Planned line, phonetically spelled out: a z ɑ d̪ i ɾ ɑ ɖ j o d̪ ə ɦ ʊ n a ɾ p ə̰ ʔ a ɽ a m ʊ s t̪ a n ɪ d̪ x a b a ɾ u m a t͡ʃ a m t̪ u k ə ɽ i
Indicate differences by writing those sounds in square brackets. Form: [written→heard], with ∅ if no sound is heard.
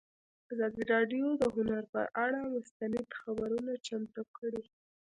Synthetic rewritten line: a z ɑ d̪ i ɾ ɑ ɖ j o d̪ ə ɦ ʊ n a ɾ p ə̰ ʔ a ɽ a m ʊ s t̪ a n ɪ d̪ x a b a ɾ u [m→n] a t͡ʃ a m t̪ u k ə ɽ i